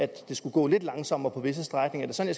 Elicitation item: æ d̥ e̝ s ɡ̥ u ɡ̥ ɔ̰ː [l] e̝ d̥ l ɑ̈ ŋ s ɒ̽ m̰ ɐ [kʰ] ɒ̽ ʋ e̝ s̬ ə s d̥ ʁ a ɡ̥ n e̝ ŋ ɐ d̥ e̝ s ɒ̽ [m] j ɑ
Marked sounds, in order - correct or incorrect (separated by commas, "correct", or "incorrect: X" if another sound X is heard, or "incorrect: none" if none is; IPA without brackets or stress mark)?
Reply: correct, incorrect: pʰ, incorrect: n